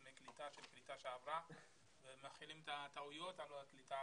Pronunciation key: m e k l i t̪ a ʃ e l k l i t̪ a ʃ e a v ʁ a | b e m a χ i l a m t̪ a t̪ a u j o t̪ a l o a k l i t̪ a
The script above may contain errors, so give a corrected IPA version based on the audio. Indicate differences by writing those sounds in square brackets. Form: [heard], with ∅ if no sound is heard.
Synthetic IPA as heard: m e k l i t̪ a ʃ e l k l i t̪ a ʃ e a v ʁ a | [v] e m a χ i l [i] m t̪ a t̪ a u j o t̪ a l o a k l i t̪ a